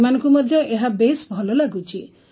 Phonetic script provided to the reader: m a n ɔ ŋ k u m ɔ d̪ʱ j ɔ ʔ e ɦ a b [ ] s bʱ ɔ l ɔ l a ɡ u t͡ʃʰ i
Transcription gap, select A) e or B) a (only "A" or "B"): A